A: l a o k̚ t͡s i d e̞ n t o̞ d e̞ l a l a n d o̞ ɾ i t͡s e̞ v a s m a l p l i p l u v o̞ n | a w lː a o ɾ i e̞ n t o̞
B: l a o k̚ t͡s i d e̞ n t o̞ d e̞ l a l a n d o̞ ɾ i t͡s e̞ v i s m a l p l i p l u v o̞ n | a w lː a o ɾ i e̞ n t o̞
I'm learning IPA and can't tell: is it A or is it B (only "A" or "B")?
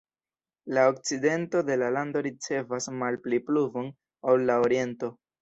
A